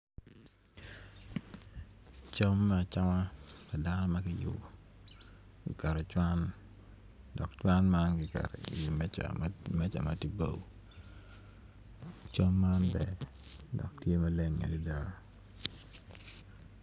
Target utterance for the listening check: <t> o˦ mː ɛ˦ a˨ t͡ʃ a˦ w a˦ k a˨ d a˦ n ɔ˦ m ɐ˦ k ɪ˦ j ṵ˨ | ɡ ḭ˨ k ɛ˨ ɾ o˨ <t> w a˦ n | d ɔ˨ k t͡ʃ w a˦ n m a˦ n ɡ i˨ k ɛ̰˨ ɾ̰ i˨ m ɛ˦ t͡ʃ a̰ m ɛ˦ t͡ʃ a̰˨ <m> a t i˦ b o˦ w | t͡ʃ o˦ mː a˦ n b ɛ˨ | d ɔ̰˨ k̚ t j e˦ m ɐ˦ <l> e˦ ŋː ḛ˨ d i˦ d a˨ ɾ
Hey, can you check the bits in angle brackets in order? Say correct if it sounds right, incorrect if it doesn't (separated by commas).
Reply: incorrect, incorrect, correct, correct